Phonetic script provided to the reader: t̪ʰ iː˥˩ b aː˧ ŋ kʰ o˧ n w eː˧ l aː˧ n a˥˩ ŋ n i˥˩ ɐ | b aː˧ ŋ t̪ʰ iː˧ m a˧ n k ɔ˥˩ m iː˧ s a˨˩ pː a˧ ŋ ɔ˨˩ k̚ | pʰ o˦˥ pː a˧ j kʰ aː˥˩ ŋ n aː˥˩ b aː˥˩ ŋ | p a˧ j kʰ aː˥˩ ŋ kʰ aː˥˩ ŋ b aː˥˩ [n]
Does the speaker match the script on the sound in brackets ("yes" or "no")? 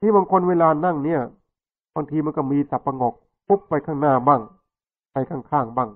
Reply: no